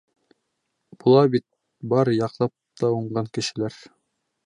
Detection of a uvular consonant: present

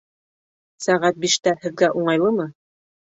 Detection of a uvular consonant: present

